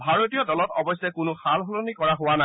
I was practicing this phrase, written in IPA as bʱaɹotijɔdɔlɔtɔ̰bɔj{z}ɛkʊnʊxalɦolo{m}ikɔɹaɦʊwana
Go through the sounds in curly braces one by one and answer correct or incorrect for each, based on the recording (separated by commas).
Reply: incorrect, incorrect